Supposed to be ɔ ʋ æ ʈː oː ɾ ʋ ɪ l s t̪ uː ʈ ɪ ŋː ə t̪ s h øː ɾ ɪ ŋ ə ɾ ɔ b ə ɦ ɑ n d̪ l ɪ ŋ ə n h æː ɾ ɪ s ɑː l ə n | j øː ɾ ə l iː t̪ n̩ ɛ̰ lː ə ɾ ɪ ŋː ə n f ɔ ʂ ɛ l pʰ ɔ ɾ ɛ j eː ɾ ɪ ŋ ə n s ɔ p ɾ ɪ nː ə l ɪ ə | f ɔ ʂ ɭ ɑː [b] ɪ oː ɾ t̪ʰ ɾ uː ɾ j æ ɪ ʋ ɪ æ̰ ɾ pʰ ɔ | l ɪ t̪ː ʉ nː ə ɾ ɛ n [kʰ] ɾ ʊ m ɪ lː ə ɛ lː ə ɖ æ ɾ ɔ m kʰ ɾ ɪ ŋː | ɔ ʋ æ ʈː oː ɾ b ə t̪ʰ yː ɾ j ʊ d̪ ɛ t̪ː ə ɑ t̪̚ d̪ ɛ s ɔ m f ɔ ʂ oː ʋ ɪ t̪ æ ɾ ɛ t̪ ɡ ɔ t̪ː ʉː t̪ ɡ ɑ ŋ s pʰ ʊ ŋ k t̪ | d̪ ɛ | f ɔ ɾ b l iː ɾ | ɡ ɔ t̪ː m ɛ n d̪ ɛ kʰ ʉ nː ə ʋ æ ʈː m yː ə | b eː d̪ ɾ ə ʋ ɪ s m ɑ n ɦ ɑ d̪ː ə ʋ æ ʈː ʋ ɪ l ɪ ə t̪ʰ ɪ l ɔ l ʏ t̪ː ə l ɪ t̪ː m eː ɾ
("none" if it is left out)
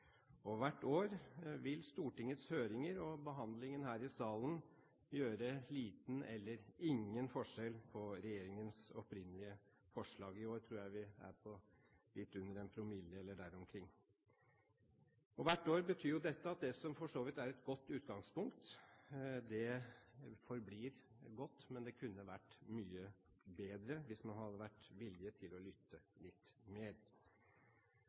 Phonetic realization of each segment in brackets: ɡ, pʰ

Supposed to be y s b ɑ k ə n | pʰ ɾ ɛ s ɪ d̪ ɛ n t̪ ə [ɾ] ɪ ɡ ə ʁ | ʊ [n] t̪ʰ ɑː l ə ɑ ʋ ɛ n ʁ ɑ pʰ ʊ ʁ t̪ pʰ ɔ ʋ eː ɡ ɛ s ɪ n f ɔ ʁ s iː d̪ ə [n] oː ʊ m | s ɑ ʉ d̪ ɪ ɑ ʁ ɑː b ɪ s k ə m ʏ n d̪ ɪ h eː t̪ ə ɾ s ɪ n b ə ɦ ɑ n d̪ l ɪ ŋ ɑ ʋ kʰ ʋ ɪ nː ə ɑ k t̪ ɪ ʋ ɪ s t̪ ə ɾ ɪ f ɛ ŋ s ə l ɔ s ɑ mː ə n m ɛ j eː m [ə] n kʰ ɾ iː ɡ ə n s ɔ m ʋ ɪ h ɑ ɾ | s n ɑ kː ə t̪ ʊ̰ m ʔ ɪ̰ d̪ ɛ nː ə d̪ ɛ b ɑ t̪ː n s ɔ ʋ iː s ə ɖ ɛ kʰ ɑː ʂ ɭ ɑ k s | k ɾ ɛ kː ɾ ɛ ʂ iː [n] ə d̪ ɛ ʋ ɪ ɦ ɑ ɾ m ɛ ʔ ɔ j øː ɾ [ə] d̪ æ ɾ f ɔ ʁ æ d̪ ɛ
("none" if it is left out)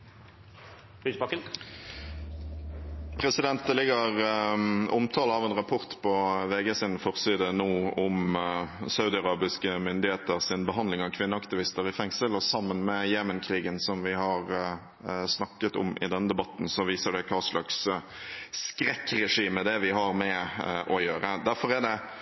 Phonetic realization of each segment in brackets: l, m, n, ə, m, ə

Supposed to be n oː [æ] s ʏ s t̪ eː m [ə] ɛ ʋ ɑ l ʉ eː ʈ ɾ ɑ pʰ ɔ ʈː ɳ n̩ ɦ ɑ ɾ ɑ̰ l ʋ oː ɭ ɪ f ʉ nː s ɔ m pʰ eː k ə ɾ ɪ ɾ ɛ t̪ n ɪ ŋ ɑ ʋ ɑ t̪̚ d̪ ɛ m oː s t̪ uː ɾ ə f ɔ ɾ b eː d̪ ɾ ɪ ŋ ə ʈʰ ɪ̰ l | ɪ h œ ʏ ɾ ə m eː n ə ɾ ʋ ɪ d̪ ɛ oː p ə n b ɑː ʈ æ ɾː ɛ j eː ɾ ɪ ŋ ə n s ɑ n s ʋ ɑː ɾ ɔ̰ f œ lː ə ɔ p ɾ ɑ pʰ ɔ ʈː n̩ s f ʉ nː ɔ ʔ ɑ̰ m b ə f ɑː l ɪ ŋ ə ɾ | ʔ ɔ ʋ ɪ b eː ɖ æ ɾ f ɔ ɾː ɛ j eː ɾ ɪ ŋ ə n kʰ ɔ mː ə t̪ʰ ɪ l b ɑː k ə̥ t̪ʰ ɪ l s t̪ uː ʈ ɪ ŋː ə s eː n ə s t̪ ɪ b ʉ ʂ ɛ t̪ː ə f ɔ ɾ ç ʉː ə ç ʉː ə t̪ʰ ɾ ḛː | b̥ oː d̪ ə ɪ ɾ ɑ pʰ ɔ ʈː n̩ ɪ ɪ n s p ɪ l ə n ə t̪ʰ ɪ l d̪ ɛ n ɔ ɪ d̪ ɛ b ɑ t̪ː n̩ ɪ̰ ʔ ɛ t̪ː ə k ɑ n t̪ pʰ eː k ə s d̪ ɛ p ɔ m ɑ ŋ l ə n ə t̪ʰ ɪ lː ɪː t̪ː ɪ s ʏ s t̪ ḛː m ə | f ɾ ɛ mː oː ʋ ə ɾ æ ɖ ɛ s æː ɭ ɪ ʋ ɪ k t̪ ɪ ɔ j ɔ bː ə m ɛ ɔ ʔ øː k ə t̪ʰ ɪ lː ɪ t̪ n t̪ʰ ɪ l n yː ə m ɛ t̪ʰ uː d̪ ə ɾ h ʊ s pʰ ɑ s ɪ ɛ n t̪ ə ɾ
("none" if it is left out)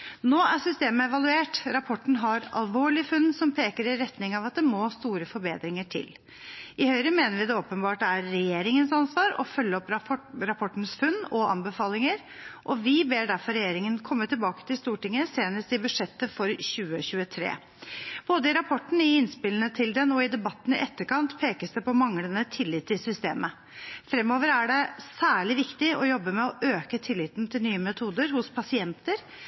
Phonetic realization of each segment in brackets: æ, ə

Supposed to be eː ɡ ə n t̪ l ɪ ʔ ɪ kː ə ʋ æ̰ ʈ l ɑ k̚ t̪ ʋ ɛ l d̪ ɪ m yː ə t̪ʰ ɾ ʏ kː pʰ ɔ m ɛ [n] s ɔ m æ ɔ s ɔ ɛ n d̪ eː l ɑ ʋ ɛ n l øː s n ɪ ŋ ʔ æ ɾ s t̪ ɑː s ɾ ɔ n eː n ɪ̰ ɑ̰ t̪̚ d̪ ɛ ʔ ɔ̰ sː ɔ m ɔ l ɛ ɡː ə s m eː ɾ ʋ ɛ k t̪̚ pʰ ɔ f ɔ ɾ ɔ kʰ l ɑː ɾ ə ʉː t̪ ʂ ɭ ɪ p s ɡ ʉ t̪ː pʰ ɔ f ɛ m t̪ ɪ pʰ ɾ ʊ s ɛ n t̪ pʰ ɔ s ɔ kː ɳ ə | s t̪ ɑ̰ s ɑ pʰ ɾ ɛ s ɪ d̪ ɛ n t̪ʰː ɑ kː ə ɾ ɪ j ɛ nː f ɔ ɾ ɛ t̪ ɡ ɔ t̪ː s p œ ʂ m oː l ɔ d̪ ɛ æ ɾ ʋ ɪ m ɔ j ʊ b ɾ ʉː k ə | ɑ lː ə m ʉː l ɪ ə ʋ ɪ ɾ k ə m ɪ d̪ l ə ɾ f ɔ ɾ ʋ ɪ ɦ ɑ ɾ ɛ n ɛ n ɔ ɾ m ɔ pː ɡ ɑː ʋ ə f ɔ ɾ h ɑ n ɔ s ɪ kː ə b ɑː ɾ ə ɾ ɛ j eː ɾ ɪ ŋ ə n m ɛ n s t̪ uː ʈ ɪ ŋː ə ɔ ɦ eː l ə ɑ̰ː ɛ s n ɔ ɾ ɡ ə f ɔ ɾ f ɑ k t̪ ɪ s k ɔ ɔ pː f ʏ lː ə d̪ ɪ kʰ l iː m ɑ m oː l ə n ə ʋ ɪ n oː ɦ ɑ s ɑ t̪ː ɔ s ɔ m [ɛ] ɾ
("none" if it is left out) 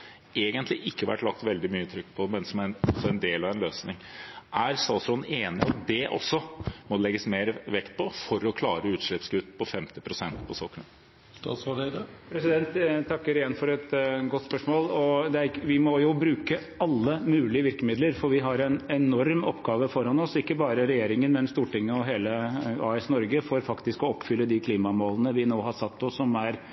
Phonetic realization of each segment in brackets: n, æ

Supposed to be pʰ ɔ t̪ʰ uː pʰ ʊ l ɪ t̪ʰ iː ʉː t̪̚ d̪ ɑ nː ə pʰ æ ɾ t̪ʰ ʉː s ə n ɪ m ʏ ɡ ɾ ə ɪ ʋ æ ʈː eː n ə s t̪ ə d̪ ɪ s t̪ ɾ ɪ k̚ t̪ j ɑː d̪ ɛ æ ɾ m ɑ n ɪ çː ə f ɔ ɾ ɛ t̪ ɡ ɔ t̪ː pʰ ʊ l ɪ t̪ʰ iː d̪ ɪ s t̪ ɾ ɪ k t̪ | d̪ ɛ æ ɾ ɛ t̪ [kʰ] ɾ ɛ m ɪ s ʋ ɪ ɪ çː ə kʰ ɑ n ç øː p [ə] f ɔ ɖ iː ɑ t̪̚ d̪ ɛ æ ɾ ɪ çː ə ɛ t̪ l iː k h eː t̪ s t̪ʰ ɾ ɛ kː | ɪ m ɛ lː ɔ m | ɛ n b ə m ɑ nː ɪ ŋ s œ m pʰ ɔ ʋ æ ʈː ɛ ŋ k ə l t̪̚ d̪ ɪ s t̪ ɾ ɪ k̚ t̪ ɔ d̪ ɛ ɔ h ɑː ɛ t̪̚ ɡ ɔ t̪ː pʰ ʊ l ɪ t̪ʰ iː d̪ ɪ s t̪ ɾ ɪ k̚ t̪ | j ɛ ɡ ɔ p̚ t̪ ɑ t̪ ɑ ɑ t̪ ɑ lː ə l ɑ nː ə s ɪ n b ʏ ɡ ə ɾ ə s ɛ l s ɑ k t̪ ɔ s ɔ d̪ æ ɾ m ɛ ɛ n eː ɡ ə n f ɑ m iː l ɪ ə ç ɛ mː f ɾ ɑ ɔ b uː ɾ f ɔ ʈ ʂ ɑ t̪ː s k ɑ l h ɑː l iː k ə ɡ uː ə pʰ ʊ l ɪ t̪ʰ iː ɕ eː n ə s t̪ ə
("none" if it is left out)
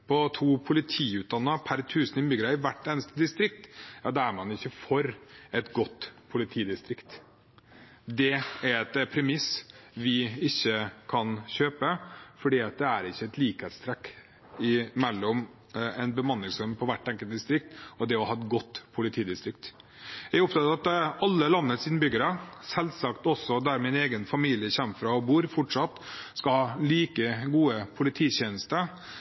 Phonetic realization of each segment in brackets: pʰ, ə

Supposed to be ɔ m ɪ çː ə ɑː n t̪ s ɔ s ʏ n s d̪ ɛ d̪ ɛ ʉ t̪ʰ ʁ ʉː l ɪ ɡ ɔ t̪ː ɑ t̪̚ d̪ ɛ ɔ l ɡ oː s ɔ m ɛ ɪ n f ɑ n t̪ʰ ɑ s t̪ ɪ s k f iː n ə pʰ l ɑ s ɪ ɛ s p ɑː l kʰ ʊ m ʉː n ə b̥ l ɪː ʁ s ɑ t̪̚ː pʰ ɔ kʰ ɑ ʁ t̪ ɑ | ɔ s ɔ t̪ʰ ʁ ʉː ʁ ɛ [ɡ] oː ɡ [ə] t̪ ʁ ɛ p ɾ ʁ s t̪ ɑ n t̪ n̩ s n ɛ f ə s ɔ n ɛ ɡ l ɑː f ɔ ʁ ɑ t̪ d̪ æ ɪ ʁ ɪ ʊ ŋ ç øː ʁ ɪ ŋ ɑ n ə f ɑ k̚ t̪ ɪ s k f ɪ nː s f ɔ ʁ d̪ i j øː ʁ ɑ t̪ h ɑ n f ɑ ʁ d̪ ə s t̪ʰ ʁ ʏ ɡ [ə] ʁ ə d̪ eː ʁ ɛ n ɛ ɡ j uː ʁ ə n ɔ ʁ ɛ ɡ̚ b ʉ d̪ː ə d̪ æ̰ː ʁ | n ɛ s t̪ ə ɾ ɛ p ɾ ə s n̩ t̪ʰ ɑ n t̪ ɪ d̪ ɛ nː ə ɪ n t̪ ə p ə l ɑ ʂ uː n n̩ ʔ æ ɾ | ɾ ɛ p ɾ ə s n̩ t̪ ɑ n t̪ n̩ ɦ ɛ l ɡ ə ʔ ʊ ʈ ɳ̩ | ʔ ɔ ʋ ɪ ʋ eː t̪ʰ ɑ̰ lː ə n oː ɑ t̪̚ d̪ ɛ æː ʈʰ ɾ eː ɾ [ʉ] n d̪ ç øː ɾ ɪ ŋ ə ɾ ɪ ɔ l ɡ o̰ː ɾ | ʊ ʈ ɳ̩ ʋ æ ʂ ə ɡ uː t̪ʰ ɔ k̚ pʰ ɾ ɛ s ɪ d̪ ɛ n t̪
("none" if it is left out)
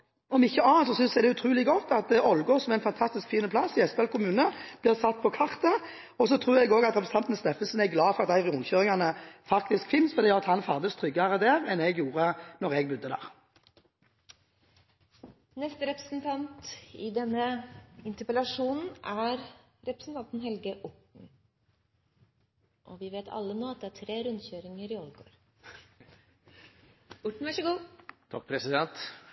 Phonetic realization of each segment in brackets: ɡ, ɑ, ɑ, ʉ

